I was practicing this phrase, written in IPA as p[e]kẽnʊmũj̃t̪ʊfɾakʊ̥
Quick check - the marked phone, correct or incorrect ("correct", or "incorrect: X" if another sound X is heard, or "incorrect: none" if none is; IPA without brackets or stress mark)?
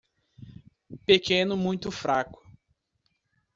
correct